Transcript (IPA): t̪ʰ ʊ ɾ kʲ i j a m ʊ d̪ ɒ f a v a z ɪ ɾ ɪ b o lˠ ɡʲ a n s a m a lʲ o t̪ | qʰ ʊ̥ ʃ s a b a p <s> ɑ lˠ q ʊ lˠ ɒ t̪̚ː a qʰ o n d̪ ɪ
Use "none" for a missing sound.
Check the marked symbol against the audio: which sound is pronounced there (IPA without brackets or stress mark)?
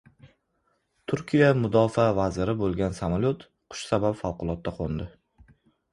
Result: f